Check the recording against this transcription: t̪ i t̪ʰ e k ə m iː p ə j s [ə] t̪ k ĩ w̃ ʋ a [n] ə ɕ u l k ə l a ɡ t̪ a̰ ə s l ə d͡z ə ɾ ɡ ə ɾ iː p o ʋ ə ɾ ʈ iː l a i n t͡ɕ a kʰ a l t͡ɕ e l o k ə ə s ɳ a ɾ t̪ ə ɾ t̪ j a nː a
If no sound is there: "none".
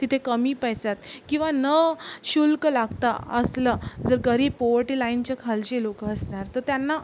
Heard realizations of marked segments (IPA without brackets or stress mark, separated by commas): a, n